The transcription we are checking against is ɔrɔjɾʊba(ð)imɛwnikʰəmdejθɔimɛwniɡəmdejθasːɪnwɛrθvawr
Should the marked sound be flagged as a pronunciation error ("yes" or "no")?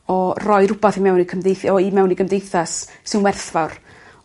yes